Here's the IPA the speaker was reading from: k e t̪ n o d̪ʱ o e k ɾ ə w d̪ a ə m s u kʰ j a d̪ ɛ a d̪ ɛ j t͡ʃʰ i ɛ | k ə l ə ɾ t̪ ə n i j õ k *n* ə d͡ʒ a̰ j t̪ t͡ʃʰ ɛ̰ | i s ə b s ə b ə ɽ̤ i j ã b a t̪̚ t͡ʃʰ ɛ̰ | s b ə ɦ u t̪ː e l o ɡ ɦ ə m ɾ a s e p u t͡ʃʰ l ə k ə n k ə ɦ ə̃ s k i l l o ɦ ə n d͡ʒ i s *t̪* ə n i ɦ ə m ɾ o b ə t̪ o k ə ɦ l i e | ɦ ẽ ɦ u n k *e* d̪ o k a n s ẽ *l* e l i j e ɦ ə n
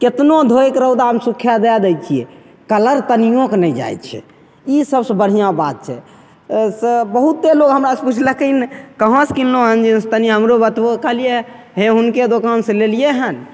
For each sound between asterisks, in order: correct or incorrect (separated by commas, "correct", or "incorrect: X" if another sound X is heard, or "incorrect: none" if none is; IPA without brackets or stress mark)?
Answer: correct, correct, correct, correct